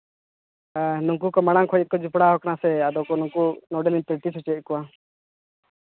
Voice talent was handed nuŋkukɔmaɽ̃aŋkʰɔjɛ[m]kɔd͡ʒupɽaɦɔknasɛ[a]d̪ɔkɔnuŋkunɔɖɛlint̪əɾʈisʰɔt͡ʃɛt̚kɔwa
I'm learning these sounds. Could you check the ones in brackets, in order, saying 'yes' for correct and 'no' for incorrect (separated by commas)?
no, yes